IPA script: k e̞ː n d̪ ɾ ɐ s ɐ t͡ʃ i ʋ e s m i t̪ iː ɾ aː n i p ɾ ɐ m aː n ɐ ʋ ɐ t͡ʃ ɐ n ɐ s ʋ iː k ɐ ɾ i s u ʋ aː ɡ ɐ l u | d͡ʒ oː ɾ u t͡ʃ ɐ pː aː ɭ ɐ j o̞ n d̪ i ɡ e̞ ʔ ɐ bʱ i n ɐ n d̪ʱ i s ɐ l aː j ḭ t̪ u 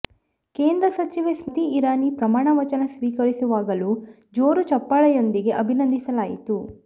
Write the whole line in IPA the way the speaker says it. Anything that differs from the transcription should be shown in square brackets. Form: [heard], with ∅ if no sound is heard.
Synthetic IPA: k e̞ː n d̪ ɾ ɐ s ɐ t͡ʃ i ʋ e s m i t̪ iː ɾ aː n i p ɾ ɐ m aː [ɳ] ɐ ʋ ɐ t͡ʃ ɐ n ɐ s ʋ iː k ɐ ɾ i s u ʋ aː ɡ ɐ l u | d͡ʒ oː ɾ u t͡ʃ ɐ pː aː ɭ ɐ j o̞ n d̪ i ɡ e̞ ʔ ɐ bʱ i n ɐ n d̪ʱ i s ɐ l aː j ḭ t̪ u